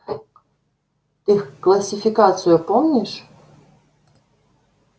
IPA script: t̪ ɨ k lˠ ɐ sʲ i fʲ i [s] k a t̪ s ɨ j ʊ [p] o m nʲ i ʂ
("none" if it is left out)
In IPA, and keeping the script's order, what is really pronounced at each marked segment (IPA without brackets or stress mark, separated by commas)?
none, p